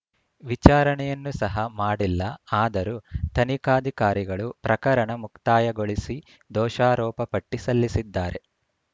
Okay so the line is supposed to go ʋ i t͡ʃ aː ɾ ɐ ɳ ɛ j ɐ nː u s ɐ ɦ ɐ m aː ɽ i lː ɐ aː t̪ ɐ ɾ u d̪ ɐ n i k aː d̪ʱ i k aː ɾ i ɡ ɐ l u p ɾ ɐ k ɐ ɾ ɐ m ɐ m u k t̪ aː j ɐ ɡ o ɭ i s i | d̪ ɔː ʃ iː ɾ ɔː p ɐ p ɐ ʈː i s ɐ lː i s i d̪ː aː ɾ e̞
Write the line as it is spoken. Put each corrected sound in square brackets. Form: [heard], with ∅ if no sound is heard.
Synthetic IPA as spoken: ʋ i t͡ʃ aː ɾ ɐ ɳ ɛ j ɐ nː u s ɐ ɦ ɐ m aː ɽ i lː ɐ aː [d̪] ɐ ɾ u [t̪] ɐ n i k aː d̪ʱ i k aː ɾ i ɡ ɐ [ɭ] u p ɾ ɐ k ɐ ɾ ɐ [ɳ] ɐ m u k t̪ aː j ɐ ɡ o ɭ i s i | d̪ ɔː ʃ [aː] ɾ ɔː p ɐ p ɐ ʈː i s ɐ lː i s i d̪ː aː ɾ e̞